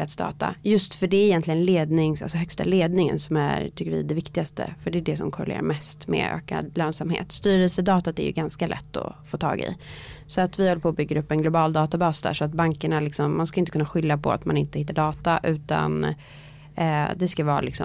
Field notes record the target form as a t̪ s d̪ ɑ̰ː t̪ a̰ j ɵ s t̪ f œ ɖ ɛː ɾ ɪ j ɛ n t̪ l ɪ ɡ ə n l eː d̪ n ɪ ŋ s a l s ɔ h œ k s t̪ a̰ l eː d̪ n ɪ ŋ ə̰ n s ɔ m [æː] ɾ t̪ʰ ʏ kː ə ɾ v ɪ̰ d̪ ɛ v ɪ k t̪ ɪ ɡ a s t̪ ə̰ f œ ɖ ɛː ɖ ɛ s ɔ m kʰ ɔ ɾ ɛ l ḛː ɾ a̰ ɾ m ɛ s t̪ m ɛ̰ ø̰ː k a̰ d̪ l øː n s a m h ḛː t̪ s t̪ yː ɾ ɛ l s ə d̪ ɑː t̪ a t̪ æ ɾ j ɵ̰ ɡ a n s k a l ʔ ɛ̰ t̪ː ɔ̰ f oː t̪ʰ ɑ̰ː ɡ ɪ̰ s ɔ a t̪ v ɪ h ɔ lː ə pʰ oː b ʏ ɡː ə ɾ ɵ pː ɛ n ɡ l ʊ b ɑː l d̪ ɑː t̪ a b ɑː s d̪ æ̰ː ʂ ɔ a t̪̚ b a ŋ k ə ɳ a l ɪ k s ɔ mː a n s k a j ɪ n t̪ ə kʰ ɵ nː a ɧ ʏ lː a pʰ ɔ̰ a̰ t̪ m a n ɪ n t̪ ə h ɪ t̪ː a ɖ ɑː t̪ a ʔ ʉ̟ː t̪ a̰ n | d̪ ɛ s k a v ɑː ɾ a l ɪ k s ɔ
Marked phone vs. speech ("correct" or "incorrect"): incorrect